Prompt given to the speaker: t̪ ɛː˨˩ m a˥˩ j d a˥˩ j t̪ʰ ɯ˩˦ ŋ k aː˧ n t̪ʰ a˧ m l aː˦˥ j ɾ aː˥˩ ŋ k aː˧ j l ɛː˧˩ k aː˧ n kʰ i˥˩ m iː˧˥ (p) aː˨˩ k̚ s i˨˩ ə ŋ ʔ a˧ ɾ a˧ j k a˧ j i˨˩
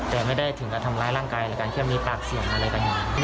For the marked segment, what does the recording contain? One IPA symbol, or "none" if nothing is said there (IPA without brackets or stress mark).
p